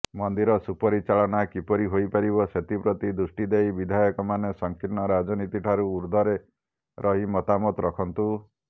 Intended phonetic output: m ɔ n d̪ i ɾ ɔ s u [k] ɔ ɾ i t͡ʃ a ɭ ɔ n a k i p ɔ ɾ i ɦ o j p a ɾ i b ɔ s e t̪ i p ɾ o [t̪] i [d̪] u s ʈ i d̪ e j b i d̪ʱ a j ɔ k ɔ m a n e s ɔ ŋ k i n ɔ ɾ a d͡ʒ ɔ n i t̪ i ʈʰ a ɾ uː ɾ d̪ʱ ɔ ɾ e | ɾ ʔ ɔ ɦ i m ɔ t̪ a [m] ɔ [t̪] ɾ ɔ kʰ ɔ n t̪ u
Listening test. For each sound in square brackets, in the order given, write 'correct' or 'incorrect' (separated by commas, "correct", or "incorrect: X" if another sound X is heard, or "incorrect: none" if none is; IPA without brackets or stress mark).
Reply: incorrect: p, correct, correct, correct, correct